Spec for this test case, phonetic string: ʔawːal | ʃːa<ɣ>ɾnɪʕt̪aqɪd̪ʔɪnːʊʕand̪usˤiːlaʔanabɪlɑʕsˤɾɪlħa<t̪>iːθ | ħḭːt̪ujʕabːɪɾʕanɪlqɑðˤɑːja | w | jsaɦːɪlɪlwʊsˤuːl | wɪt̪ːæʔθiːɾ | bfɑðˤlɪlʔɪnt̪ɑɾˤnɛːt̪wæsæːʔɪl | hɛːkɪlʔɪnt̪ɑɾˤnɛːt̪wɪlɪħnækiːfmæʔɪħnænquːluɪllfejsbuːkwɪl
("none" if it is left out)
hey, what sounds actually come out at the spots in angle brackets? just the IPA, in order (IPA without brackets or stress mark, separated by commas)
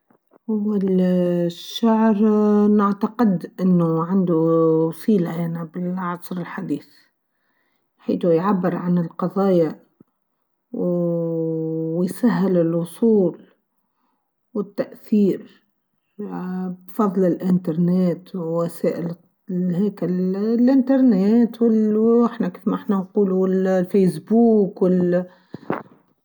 ʕ, d̪